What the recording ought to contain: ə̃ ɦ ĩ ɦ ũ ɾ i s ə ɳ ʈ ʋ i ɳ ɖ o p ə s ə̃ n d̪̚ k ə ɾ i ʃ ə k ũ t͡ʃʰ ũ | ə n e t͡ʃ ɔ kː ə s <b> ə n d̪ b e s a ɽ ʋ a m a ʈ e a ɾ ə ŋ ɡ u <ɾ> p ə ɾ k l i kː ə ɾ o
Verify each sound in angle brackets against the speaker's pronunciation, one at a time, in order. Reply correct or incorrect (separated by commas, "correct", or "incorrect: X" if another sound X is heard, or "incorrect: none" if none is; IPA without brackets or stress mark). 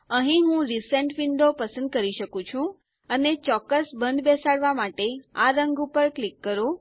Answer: correct, incorrect: none